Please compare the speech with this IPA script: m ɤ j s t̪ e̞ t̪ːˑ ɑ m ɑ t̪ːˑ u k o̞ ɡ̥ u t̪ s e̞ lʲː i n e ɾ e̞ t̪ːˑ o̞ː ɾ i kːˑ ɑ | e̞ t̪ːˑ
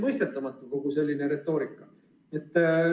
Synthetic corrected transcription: m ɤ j s t̪ e̞ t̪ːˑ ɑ m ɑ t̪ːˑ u k o̞ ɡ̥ u s e̞ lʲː i n e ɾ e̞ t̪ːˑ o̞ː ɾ i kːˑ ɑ | e̞ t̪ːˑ